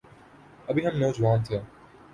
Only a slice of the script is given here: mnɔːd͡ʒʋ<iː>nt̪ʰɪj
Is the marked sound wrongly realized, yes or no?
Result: yes